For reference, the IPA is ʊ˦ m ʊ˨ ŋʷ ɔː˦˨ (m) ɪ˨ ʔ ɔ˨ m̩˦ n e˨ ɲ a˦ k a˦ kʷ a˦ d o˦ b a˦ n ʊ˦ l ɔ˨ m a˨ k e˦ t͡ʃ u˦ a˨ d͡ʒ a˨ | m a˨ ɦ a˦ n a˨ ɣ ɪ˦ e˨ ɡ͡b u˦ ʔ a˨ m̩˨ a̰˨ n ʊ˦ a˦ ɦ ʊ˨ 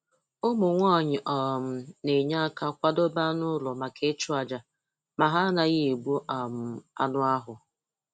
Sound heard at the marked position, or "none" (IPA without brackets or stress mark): ɲ